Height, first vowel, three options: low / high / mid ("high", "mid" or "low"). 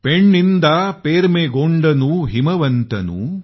mid